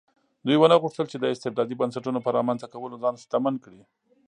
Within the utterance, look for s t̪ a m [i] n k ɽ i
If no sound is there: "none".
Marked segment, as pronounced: a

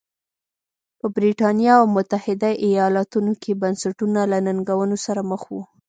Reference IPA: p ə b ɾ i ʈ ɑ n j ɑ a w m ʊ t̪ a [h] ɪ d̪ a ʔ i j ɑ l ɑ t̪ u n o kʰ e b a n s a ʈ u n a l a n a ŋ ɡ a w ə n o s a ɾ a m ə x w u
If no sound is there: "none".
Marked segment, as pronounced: h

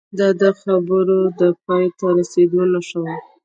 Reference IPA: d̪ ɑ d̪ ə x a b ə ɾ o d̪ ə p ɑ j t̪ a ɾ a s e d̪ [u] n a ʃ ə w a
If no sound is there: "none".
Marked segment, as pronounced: o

